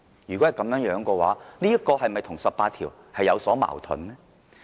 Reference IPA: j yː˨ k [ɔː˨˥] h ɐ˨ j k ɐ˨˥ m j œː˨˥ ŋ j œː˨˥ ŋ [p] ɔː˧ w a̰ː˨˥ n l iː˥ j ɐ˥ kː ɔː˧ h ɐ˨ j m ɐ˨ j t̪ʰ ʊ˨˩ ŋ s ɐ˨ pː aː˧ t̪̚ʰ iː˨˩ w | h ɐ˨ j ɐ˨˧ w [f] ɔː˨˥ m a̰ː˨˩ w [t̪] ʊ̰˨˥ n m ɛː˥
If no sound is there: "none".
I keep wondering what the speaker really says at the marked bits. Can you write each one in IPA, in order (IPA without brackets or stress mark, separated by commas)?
ɔ˨˥, k, s, t̪ʰ